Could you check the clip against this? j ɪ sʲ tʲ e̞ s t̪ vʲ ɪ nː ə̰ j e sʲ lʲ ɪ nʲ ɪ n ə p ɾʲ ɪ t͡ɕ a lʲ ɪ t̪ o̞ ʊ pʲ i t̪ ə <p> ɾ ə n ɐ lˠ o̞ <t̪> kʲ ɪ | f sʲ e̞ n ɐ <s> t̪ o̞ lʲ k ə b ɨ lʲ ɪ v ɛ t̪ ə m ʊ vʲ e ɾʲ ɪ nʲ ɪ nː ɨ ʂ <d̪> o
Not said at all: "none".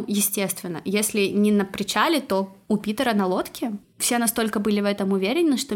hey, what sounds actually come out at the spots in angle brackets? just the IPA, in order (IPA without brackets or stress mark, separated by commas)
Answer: none, t̪, s, t̪